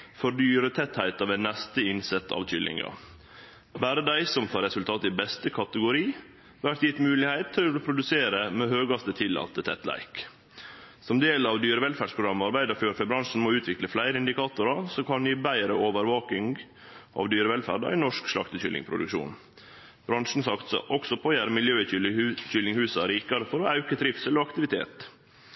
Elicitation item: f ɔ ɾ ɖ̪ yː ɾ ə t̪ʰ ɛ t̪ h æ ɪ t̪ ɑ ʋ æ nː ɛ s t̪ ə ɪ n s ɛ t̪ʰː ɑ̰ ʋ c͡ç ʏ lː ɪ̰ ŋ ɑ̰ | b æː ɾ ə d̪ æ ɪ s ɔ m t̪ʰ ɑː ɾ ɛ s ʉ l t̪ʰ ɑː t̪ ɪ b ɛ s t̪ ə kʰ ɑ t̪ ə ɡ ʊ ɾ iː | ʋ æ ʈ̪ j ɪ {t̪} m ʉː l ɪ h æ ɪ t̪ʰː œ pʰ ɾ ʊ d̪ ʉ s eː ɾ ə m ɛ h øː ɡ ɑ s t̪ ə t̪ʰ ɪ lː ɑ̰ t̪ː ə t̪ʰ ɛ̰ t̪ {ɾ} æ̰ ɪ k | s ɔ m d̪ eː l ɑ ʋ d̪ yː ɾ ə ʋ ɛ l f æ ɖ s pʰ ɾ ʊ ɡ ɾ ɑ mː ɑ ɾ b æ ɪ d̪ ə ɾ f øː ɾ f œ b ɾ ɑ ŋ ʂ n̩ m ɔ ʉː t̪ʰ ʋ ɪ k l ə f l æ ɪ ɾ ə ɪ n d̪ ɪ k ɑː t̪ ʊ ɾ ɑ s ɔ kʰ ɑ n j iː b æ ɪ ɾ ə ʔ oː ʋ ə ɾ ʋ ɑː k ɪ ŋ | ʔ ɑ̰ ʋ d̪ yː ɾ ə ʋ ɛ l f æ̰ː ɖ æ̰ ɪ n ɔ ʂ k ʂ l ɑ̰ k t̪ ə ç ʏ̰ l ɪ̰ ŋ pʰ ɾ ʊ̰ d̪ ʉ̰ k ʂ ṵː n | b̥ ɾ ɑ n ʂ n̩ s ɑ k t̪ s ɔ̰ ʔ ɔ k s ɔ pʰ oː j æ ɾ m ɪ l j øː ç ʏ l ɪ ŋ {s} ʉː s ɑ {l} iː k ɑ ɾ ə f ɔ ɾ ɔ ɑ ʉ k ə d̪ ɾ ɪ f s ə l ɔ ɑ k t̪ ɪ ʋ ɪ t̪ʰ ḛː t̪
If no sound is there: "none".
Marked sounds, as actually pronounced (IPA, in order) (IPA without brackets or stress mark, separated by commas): t̪, l, h, ɾ